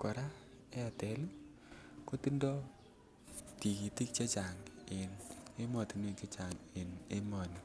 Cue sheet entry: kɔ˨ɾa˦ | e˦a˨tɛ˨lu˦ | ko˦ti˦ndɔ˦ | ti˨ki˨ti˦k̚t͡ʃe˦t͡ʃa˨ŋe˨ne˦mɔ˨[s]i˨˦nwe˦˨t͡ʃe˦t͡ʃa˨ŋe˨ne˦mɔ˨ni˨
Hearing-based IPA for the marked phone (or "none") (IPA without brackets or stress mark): t